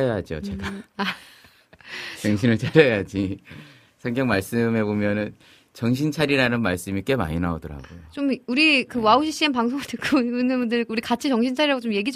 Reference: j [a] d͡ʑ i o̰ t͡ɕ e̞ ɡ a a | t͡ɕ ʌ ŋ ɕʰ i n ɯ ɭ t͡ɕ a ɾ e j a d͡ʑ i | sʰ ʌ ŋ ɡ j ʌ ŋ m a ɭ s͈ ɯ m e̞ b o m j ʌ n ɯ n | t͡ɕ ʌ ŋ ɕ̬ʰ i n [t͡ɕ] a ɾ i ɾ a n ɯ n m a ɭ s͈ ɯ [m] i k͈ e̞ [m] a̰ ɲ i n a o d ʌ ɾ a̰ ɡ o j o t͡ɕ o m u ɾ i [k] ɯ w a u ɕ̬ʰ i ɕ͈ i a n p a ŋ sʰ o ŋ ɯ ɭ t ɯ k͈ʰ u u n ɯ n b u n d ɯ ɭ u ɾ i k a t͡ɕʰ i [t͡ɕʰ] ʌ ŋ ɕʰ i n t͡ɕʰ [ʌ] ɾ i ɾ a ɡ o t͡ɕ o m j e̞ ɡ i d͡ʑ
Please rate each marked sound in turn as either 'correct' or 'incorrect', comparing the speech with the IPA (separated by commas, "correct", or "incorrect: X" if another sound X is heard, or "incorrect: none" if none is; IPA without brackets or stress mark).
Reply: correct, incorrect: t͡ɕʰ, correct, correct, correct, incorrect: t͡ɕ, incorrect: a